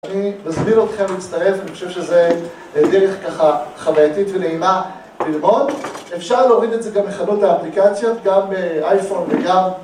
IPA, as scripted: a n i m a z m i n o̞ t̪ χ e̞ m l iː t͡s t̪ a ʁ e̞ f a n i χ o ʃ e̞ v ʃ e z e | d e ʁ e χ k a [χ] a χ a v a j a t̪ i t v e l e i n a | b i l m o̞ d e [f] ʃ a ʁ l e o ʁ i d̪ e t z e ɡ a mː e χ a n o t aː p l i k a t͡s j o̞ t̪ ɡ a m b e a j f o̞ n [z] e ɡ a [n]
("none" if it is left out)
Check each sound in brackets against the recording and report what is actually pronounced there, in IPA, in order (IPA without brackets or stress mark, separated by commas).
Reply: χ, f, v, m